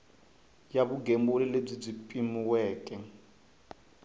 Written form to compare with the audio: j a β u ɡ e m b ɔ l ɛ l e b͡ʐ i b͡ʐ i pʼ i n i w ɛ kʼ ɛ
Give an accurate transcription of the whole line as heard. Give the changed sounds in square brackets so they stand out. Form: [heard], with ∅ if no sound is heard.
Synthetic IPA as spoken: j a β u ɡ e m b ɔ l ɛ l e b͡ʐ i b͡ʐ i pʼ i [m] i w [ɛː] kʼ ɛ